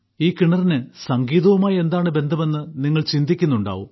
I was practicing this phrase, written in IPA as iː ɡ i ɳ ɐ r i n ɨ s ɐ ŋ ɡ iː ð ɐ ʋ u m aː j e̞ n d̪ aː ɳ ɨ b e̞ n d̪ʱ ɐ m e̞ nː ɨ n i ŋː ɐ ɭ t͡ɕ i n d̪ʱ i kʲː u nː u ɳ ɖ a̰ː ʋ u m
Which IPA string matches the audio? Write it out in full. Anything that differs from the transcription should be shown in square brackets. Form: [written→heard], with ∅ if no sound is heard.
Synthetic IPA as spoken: iː [ɡ→k] i ɳ ɐ r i n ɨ s ɐ ŋ ɡ iː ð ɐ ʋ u m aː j e̞ n d̪ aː ɳ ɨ b e̞ n d̪ʱ ɐ m e̞ nː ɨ n i ŋː ɐ ɭ t͡ɕ i n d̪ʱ i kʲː u nː u ɳ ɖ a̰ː ʋ u m

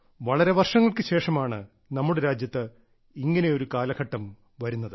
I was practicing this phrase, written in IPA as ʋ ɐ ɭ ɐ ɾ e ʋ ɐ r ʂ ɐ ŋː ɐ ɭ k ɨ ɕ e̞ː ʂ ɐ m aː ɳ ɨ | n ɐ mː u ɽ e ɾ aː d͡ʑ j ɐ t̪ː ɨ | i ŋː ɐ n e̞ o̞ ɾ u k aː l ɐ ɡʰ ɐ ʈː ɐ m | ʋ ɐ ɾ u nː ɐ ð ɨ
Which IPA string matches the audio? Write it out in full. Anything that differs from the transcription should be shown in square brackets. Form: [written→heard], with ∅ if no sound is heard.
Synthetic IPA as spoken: ʋ ɐ ɭ ɐ ɾ e ʋ ɐ r ʂ ɐ ŋː ɐ ɭ k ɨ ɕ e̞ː ʂ ɐ m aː ɳ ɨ | n ɐ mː u ɽ e ɾ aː d͡ʑ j ɐ t̪ː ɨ | i ŋː ɐ n e̞ o̞ ɾ u k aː l ɐ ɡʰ ɐ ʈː ɐ m | ʋ ɐ ɾ u nː ɐ ð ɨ

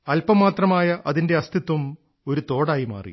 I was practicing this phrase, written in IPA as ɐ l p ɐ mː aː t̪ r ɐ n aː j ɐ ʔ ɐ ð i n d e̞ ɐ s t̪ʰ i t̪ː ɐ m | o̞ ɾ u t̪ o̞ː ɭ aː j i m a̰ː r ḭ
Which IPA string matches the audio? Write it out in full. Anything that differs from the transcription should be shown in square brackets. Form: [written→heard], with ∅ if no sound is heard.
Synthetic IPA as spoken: ɐ l p ɐ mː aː t̪ r ɐ [n→m] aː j ɐ ʔ ɐ ð i n d e̞ ɐ s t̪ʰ i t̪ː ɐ m | o̞ ɾ u t̪ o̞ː [ɭ→ɽ] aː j i m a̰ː r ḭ

